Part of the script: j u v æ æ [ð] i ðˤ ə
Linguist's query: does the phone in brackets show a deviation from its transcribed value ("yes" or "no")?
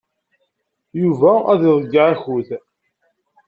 no